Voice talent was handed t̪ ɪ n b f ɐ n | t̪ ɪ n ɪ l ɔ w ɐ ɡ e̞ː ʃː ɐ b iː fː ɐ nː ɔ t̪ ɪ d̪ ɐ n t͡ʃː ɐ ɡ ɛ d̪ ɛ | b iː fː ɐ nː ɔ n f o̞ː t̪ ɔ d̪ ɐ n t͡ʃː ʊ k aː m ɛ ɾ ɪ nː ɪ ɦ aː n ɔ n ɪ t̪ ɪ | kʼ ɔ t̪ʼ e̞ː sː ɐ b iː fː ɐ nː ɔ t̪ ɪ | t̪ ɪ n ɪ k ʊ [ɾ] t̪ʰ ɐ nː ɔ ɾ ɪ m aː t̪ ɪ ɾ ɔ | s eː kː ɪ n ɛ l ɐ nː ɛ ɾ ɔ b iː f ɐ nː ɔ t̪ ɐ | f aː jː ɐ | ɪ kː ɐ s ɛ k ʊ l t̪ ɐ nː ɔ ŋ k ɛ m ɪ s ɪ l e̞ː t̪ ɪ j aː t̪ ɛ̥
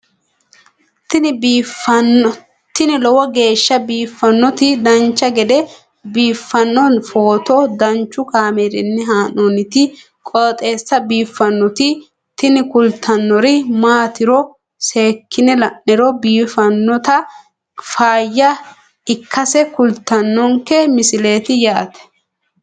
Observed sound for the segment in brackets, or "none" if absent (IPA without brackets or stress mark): l